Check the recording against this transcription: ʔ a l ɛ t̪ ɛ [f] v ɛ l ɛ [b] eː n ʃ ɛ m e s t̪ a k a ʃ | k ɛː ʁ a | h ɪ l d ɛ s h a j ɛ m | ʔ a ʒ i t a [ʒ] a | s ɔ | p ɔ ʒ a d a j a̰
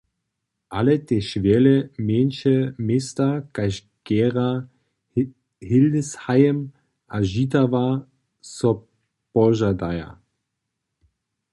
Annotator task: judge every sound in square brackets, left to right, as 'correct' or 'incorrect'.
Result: incorrect, incorrect, incorrect

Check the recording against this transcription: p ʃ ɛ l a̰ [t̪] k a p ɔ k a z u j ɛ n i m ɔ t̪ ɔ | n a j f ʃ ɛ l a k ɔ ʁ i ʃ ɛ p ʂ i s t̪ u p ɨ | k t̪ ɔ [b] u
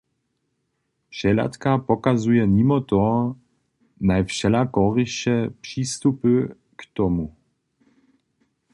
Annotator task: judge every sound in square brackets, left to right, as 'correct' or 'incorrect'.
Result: correct, incorrect

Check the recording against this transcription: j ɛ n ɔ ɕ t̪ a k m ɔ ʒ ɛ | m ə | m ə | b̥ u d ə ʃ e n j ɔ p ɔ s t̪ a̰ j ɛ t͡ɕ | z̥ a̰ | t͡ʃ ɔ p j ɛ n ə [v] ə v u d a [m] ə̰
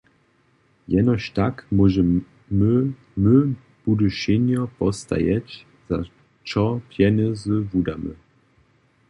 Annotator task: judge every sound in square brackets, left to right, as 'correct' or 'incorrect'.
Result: incorrect, correct

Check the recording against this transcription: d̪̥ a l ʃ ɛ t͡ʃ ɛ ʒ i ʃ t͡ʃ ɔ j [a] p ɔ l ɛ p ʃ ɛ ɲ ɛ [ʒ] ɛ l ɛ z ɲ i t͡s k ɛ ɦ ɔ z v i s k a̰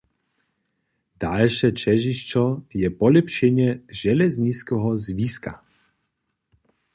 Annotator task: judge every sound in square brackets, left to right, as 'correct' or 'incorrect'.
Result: incorrect, correct

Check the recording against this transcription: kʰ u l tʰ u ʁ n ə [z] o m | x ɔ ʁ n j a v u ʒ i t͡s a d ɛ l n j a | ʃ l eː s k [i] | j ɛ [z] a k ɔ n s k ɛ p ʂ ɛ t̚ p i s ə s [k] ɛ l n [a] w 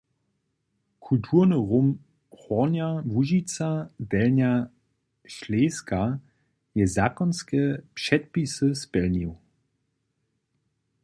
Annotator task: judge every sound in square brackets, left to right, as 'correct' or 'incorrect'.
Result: incorrect, incorrect, correct, incorrect, incorrect

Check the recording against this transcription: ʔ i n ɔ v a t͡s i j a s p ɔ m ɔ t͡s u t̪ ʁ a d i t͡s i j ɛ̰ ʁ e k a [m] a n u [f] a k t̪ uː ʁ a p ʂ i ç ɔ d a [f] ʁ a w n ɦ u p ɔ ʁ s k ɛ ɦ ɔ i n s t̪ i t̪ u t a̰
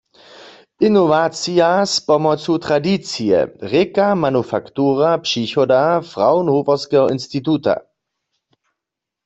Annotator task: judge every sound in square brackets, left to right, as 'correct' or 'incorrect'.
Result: correct, correct, correct

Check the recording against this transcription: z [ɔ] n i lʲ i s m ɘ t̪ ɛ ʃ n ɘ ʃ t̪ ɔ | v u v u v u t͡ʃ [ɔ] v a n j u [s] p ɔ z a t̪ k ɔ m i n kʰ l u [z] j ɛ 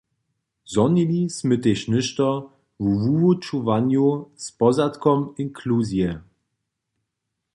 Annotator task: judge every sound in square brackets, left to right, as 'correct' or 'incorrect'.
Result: correct, incorrect, correct, correct

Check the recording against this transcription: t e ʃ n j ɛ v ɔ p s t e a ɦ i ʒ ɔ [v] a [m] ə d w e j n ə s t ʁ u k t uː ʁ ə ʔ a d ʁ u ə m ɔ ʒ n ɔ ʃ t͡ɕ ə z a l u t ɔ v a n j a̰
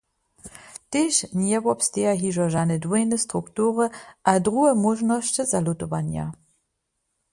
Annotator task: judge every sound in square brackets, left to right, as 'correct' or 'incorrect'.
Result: incorrect, incorrect

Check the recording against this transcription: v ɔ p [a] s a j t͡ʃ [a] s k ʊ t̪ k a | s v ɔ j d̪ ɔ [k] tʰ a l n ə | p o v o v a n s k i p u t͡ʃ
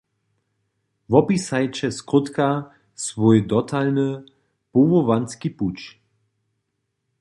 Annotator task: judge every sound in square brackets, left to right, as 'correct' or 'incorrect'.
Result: incorrect, incorrect, incorrect

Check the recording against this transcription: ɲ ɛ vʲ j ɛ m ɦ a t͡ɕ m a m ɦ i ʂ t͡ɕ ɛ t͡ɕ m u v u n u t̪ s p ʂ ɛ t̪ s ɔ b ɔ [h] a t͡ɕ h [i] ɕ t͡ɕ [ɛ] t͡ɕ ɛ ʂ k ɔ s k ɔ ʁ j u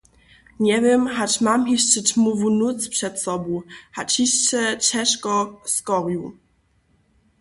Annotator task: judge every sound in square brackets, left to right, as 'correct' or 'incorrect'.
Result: correct, correct, correct

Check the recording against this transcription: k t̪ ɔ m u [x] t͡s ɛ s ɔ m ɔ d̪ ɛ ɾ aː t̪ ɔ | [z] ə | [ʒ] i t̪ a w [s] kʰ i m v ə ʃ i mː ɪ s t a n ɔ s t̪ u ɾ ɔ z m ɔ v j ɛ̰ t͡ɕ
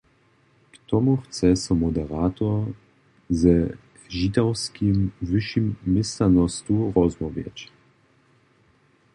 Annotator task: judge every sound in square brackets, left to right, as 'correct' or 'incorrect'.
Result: correct, correct, correct, correct

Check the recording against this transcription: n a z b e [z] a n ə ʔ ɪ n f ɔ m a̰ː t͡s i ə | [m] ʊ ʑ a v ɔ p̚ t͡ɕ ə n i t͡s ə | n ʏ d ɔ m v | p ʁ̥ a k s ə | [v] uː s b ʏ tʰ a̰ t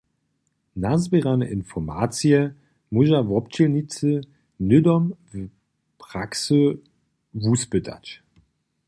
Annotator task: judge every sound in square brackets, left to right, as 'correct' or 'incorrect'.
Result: incorrect, correct, correct

